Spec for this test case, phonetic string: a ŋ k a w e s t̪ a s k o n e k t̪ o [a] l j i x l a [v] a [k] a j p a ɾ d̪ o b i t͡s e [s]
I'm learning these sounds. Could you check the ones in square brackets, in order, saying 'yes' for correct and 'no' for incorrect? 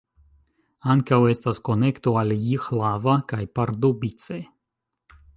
yes, yes, yes, no

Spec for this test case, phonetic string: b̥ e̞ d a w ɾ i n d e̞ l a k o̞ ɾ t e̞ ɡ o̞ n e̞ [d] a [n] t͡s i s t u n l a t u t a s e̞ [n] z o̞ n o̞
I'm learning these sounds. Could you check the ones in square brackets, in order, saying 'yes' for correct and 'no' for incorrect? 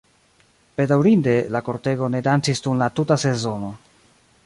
yes, yes, no

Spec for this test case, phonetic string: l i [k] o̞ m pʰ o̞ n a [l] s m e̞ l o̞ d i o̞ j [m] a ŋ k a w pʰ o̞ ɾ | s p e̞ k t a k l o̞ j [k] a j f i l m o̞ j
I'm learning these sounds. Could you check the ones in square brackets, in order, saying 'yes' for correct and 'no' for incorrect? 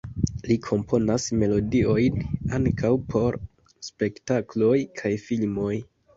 no, no, no, no

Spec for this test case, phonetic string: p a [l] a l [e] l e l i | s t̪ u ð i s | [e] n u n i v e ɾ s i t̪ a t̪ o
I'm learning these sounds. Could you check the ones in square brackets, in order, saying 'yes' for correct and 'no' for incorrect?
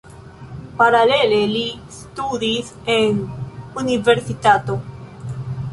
no, yes, yes

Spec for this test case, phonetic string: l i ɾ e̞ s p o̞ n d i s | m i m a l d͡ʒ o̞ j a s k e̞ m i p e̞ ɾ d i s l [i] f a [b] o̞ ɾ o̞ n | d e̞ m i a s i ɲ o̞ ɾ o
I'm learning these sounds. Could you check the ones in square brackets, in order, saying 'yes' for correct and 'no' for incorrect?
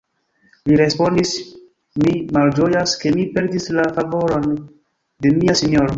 no, no

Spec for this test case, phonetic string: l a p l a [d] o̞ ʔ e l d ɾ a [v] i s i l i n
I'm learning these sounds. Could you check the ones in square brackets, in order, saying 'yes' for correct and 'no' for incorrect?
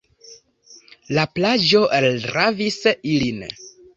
no, yes

